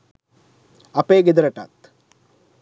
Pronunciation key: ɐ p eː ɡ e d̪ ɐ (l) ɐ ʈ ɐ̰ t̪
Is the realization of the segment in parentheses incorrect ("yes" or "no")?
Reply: yes